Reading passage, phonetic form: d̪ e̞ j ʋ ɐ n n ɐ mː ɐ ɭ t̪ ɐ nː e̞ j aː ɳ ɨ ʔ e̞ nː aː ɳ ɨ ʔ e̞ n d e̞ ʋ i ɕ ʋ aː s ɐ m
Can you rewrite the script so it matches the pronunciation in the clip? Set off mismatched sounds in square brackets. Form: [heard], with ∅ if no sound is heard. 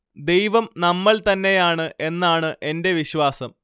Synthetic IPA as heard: d̪ e̞ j ʋ ɐ [m] n ɐ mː ɐ ɭ t̪ ɐ nː e̞ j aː ɳ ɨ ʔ e̞ nː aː ɳ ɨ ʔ e̞ n d e̞ ʋ i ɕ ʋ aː s ɐ m